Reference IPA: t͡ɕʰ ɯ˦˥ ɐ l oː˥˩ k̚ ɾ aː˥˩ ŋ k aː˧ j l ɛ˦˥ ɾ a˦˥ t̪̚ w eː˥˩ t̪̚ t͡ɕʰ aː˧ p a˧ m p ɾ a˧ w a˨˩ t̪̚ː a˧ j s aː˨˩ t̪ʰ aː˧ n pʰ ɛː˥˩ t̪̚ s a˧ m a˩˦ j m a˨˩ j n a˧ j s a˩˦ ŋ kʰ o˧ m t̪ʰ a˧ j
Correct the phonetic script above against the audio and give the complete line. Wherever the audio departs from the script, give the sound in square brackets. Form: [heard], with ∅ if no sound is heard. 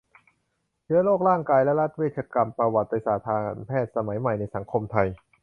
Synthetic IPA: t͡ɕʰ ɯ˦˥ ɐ l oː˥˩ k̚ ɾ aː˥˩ ŋ k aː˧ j l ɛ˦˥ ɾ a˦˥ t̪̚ w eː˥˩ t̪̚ t͡ɕʰ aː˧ [k] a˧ m p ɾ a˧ w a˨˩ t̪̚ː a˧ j s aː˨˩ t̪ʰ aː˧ n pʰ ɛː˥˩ t̪̚ s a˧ m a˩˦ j m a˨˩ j n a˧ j s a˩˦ ŋ kʰ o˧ m t̪ʰ a˧ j